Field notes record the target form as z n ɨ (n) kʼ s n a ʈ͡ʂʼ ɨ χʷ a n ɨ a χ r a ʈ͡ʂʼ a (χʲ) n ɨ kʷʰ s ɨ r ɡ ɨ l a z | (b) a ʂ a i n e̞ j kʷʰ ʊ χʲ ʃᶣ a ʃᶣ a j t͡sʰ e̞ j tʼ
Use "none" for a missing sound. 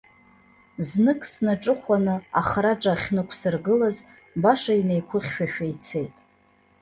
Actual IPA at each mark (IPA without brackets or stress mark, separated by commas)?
none, χʲ, b